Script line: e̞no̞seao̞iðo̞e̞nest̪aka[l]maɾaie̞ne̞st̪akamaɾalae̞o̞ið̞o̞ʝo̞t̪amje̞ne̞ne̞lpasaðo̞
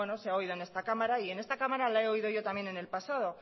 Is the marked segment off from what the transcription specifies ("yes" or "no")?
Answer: yes